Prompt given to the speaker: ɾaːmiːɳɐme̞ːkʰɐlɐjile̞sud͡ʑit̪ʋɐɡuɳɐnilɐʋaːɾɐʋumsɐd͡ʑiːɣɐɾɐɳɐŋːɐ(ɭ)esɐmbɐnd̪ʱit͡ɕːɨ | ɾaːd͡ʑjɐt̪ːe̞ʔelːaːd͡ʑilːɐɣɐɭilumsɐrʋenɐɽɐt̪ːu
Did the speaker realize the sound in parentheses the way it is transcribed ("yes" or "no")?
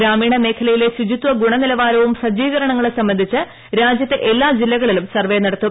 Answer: yes